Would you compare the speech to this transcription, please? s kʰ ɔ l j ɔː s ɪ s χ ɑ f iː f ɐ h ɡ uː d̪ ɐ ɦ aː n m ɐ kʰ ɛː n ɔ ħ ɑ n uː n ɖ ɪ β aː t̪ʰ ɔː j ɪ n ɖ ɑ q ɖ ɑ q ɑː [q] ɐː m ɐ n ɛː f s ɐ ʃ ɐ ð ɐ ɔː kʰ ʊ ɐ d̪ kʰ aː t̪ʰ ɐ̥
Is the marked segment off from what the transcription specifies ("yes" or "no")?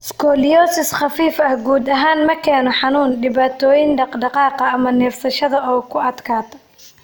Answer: no